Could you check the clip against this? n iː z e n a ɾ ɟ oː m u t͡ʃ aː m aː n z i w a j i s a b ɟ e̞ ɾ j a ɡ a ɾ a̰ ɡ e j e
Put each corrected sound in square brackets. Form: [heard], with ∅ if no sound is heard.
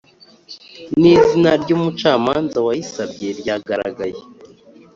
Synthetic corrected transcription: n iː z [i] n a ɾ ɟ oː m u t͡ʃ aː m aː n z [a] w a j i s a b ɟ e̞ ɾ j a ɡ a ɾ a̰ ɡ [a] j e